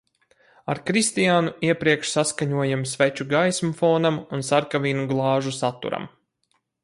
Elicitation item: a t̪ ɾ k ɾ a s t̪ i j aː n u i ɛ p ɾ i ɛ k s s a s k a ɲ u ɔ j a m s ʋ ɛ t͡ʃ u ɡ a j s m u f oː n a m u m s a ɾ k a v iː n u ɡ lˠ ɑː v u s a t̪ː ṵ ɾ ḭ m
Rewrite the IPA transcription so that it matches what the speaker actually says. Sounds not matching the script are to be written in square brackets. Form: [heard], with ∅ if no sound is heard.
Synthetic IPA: a [∅] ɾ k ɾ [i] s t̪ i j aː n u i ɛ p ɾ i ɛ k [ʃ] s a s k a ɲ u ɔ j a m s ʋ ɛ t͡ʃ u ɡ a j s m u f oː n a m u [n] s a ɾ k a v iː n u ɡ lˠ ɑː [ʒ] u s a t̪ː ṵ ɾ [a̰] m